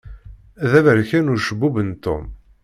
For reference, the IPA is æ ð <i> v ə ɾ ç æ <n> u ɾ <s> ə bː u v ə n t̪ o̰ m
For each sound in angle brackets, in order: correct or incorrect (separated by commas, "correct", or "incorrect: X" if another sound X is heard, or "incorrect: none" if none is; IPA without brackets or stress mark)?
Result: incorrect: æ, correct, incorrect: ʃ